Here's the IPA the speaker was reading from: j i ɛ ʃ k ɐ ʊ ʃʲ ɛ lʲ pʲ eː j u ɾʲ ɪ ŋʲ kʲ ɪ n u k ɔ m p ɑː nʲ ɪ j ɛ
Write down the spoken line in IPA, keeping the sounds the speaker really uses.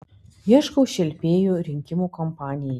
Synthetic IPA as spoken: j i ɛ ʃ k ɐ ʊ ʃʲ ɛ lʲ pʲ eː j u ɾʲ ɪ ŋʲ kʲ ɪ m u k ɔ m p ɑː nʲ ɪ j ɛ